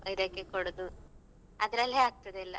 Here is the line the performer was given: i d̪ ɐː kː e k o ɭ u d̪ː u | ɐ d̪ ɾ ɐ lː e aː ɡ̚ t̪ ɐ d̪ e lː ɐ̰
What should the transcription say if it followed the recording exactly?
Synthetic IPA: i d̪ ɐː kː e k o ɽ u d̪ u | ɐ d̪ ɾ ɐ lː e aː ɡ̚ t̪ ɐ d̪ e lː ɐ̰